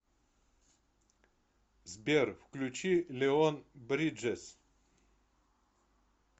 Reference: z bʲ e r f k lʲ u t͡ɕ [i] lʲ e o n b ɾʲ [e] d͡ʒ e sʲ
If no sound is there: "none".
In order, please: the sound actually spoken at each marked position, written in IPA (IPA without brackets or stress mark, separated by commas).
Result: i, i